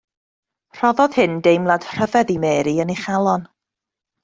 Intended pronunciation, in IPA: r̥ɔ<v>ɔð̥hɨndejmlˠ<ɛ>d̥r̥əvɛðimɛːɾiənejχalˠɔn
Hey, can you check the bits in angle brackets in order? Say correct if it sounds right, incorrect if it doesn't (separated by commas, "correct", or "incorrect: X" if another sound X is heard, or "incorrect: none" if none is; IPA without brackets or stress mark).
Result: incorrect: ð, incorrect: a